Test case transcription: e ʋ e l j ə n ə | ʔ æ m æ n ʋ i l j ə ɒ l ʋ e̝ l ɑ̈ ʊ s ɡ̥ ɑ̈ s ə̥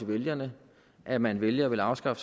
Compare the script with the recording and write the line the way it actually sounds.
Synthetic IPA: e ʋ e l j ɐ n ə | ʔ æ m æ n ʋ e l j ə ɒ ʋ e̝ l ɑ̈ ʊ s ɡ̥ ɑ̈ f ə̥